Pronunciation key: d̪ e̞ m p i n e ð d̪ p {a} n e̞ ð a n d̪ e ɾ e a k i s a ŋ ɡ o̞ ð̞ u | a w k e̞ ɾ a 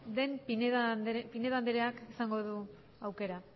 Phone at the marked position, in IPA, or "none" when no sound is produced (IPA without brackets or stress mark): i